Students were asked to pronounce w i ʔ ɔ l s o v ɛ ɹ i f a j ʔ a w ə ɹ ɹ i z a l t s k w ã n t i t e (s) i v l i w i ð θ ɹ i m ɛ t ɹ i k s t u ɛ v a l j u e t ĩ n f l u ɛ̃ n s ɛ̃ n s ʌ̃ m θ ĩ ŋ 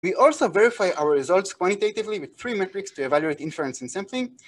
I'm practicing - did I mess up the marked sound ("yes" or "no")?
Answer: yes